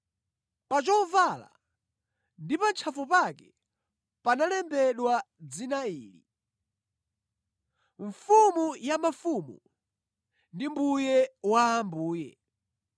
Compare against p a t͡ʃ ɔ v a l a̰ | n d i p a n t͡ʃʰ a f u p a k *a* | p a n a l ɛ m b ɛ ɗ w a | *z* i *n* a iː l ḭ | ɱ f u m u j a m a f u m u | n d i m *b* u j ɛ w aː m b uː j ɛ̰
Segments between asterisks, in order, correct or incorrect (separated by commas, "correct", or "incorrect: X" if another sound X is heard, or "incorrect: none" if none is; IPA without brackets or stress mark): incorrect: ɛ, incorrect: d͡z, correct, correct